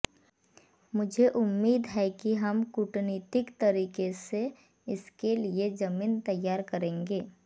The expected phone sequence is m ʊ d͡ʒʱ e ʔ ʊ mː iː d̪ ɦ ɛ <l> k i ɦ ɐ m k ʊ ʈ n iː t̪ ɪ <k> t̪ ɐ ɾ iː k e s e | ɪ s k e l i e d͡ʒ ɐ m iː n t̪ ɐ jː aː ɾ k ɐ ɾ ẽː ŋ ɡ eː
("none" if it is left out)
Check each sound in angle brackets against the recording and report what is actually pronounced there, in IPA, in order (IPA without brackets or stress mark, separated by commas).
none, k